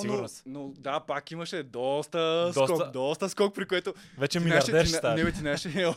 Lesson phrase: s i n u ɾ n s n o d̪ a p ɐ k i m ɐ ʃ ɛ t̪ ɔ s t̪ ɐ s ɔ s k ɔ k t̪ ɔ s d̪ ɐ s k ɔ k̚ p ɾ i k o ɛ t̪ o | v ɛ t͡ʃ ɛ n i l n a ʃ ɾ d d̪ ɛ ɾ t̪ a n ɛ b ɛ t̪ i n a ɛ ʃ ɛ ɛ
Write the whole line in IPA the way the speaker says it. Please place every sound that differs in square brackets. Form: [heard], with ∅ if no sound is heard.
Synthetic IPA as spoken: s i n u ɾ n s n o d̪ a p [a] k i m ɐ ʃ ɛ [d̪] ɔ s t̪ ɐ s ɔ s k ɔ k [d̪] ɔ s [t̪] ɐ s k ɔ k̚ p ɾ i k o ɛ t̪ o | v ɛ t͡ʃ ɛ [m] i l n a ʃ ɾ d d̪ ɛ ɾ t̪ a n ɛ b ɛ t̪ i n a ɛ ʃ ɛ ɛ